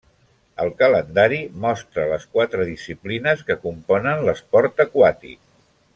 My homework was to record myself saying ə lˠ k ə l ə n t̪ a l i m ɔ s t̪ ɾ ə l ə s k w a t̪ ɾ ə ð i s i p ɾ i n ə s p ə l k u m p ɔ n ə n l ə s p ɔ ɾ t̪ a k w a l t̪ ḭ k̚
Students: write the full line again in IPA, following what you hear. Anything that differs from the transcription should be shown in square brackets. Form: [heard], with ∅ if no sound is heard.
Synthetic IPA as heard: ə lˠ k ə l ə n [d̪] a [ɾ] i m ɔ s t̪ ɾ ə l ə s k w a t̪ ɾ ə ð i s i p [l] i n ə s [k] ə [∅] k u m p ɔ n ə n l ə s p ɔ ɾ t̪ [ə] k w a [∅] t̪ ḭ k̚